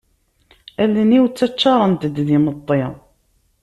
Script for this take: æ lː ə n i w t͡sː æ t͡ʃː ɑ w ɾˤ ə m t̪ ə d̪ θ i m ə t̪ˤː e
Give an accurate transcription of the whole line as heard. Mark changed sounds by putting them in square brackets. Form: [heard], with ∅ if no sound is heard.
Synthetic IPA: æ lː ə n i w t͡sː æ t͡ʃː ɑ [∅] ɾˤ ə [n] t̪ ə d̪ [ð] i m ə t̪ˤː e